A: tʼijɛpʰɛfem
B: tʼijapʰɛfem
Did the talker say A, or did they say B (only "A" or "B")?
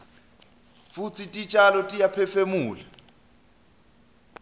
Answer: B